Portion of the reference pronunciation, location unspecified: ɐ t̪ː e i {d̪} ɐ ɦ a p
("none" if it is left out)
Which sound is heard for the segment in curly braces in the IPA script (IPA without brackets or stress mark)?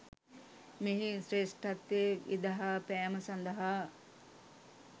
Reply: d̪